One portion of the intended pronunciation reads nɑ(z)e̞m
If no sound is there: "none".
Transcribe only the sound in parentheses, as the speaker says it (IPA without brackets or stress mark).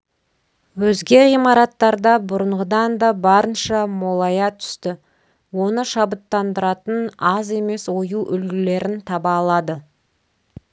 z